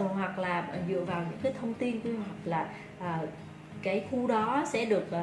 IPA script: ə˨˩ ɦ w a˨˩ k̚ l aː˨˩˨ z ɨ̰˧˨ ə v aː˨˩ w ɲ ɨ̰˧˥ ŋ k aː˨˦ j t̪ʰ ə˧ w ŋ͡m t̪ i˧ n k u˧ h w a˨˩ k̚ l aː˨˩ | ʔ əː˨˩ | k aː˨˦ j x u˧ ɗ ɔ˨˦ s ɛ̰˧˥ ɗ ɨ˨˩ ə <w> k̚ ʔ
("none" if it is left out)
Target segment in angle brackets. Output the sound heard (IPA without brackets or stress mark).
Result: none